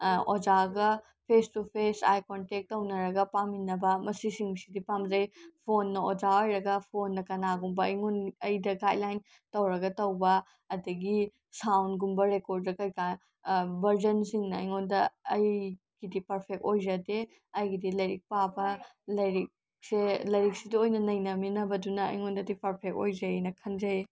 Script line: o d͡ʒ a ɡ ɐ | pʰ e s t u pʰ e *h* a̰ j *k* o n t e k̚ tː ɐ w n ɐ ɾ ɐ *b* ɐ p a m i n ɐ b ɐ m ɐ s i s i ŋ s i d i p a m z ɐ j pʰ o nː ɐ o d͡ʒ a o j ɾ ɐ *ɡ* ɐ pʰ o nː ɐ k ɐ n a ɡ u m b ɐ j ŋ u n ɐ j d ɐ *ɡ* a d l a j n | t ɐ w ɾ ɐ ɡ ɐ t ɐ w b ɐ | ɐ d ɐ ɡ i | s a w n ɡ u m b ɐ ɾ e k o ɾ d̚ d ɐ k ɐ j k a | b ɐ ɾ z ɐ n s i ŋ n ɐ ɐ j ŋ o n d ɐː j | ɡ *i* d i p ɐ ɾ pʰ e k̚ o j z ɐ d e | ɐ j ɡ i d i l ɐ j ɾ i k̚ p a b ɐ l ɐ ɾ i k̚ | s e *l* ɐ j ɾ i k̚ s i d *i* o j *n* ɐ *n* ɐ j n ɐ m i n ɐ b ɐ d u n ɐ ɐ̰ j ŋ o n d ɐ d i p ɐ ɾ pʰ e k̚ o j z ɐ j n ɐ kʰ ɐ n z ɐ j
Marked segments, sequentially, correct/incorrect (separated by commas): incorrect, correct, incorrect, correct, correct, correct, correct, correct, correct, correct